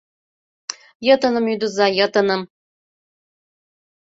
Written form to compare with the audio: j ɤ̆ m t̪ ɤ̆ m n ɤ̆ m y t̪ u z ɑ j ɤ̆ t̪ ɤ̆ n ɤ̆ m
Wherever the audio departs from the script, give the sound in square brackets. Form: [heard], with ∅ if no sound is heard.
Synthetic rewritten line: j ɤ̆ [∅] t̪ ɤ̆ [∅] n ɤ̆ m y [d̪] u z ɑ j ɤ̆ t̪ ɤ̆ n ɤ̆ m